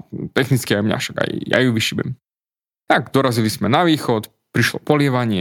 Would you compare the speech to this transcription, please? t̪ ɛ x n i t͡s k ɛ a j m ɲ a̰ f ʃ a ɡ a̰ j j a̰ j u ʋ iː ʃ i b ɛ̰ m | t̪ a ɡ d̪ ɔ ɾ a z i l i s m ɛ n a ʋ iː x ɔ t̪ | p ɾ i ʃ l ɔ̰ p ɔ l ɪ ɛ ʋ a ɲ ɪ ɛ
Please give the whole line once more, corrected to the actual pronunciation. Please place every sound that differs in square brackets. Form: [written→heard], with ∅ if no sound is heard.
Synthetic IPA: t̪ ɛ x n i t͡s k [ɛ→i] a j m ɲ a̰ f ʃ a ɡ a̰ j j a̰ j u ʋ [iː→i] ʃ i b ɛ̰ m | t̪ a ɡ d̪ ɔ ɾ a z i l i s m ɛ n a ʋ iː x ɔ t̪ | p ɾ i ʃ l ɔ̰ p ɔ l ɪ ɛ ʋ a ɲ ɪ ɛ